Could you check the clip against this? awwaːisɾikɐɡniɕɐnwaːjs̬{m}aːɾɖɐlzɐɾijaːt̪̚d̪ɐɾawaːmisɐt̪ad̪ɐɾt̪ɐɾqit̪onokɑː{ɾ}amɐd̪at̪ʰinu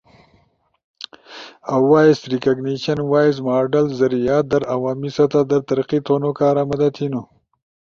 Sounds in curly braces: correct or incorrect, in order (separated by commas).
correct, correct